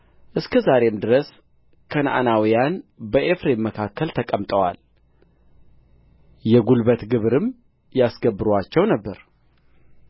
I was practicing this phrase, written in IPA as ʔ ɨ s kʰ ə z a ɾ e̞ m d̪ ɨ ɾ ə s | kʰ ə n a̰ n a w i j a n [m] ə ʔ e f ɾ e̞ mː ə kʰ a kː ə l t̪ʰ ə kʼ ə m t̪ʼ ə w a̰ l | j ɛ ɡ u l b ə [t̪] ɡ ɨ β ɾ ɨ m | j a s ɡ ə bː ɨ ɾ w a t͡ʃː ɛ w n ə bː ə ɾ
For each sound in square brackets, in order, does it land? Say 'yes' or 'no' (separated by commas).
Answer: no, yes